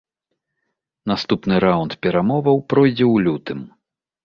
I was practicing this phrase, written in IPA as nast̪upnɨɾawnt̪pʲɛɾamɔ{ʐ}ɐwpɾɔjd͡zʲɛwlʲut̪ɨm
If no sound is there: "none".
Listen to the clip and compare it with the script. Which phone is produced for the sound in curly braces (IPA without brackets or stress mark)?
v